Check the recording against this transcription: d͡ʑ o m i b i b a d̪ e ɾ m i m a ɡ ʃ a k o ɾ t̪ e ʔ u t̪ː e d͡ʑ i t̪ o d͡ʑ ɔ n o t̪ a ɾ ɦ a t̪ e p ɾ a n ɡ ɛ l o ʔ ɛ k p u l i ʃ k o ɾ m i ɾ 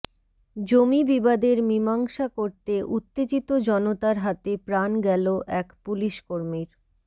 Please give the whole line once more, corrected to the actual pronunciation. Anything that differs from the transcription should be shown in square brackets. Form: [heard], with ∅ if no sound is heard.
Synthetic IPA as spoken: d͡ʑ o m i b i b a d̪ e ɾ m i m a [ŋ] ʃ a k o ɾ t̪ e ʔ u t̪ː e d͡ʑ i t̪ o d͡ʑ ɔ n o t̪ a ɾ ɦ a t̪ e p ɾ a n ɡ ɛ l o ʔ ɛ k p u l i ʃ k o ɾ m i ɾ

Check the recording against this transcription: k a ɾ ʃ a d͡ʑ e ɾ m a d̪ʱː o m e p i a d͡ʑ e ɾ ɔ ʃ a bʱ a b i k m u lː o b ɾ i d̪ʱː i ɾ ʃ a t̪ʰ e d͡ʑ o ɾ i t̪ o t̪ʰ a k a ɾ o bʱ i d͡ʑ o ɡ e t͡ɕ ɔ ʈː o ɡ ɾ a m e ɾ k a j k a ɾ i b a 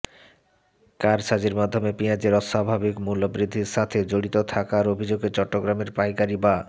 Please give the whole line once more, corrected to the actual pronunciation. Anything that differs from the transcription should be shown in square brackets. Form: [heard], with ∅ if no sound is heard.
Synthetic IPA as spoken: k a ɾ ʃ a d͡ʑ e ɾ m a d̪ʱː o m e p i a d͡ʑ e ɾ ɔ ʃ a bʱ a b i k m u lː o b ɾ i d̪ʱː i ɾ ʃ a t̪ʰ e d͡ʑ o [ɽ] i t̪ o t̪ʰ a k a ɾ o bʱ i d͡ʑ o ɡ e t͡ɕ ɔ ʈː o ɡ ɾ a m e ɾ [p] a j k a ɾ i b a

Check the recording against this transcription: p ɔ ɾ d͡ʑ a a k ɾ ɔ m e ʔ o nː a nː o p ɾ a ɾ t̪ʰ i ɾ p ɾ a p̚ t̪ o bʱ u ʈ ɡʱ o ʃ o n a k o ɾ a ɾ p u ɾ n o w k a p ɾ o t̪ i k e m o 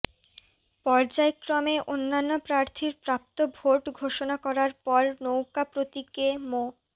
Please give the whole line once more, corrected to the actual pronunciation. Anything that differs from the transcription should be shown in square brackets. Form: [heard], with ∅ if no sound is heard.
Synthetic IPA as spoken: p ɔ ɾ d͡ʑ a [e] k ɾ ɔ m e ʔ o nː a nː o p ɾ a ɾ t̪ʰ i ɾ p ɾ a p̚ t̪ o bʱ [o] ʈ ɡʱ o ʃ o n a k [ɔ] ɾ a ɾ p [ɔ] ɾ n o w k a p ɾ o t̪ i k e m o

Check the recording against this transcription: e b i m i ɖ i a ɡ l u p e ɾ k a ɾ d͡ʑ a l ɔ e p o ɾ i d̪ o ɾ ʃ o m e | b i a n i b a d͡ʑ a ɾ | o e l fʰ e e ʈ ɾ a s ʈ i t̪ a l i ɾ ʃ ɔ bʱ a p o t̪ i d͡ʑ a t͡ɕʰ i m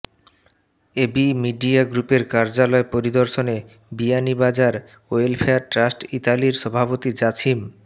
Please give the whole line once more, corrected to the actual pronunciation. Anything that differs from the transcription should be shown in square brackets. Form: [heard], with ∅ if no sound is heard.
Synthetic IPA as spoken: e b i m i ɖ i a ɡ [ɾ] u p e ɾ k a ɾ d͡ʑ a l ɔ e p o ɾ i d̪ o ɾ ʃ o [n] e | b i a n i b a d͡ʑ a ɾ | o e l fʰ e [a] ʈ ɾ a s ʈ i t̪ a l i ɾ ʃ ɔ bʱ a p o t̪ i d͡ʑ a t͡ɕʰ i m

